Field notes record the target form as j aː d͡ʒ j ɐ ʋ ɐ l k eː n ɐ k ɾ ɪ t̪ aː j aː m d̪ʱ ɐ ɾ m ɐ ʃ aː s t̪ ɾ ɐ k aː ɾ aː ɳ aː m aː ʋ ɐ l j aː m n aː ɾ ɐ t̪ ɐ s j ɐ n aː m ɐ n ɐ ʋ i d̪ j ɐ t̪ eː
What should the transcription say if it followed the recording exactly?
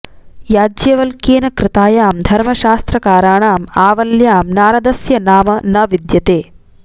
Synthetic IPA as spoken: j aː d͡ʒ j ɐ ʋ ɐ l k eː n ɐ k ɾ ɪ t̪ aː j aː m d̪ʱ ɐ ɾ m ɐ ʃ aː s t̪ ɾ ɐ k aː ɾ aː ɳ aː m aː ʋ ɐ l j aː m n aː ɾ ɐ d̪ ɐ s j ɐ n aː m ɐ n ɐ ʋ i d̪ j ɐ t̪ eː